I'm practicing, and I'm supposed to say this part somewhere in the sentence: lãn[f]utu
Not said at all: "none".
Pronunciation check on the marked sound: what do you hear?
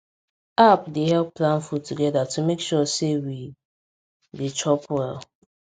f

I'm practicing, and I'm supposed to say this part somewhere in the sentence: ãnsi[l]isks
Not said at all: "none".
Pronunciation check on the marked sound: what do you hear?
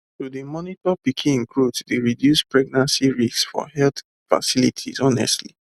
ɹ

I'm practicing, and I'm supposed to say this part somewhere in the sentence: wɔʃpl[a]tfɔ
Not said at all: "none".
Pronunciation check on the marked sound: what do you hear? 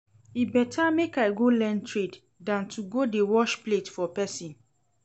e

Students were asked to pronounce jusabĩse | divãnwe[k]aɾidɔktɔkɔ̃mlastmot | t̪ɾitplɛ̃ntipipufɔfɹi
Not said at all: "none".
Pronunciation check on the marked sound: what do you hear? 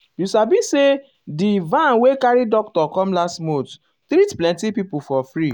k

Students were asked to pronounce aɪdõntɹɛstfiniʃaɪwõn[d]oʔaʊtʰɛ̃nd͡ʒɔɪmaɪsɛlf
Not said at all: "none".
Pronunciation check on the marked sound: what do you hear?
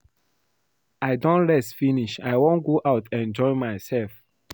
ɡ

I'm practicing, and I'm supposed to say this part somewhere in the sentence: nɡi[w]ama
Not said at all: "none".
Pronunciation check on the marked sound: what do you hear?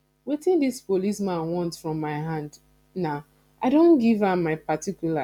v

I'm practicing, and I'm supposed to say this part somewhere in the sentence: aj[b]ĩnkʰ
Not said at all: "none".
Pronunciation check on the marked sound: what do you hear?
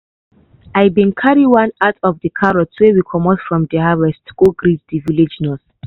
b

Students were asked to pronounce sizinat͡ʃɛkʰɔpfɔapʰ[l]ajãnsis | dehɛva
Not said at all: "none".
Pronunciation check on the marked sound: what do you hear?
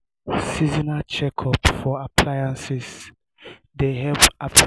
l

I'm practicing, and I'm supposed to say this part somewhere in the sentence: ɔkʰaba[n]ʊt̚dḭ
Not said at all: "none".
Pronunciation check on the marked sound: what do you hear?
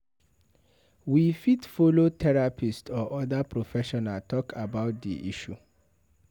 none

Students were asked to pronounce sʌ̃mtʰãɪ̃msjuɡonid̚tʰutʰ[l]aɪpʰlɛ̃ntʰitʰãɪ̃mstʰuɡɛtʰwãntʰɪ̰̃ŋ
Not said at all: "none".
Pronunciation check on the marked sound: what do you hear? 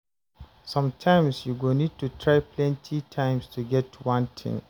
ɹ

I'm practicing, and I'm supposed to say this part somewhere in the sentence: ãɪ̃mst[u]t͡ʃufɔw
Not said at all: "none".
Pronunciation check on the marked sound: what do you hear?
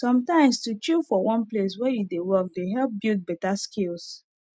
u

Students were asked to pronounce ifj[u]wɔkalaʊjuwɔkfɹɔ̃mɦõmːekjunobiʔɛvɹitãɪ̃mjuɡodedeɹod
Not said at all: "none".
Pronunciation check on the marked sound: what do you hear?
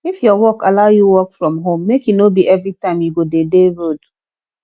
ɔ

